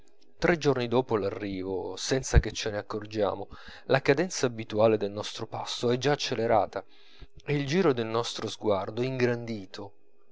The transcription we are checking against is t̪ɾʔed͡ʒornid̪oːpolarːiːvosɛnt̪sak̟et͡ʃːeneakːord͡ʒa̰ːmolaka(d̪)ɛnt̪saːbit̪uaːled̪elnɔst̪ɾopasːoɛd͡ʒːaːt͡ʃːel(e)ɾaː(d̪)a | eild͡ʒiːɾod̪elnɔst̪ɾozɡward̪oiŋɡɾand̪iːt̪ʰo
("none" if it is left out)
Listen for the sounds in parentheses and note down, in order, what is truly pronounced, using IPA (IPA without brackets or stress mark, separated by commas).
d̪, e, t̪